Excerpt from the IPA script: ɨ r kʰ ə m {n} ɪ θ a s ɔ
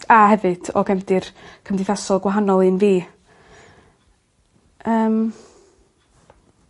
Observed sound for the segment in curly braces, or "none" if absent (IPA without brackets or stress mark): d